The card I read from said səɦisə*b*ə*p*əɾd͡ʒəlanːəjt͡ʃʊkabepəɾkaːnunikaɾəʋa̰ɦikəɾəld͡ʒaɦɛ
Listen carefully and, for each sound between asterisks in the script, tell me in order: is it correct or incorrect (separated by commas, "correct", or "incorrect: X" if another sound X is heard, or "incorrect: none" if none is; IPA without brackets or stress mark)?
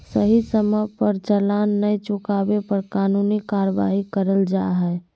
incorrect: m, correct